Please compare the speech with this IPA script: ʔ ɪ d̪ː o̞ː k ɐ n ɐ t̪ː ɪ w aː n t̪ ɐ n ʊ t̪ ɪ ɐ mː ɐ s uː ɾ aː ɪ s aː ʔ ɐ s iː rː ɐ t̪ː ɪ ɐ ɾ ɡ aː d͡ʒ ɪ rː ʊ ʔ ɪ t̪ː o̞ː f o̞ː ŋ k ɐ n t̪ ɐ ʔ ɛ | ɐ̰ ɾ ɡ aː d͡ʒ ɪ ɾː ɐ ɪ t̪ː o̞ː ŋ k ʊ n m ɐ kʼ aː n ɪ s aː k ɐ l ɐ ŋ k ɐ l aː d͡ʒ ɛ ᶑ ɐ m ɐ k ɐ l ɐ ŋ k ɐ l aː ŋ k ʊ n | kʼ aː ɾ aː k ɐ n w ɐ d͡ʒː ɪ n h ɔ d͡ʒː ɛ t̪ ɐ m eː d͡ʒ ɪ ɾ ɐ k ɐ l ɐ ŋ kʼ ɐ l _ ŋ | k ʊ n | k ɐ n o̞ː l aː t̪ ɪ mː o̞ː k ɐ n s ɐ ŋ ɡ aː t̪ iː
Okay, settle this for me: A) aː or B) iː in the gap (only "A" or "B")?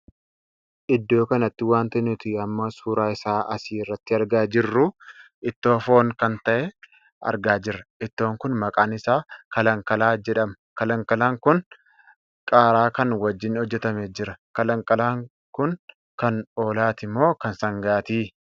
A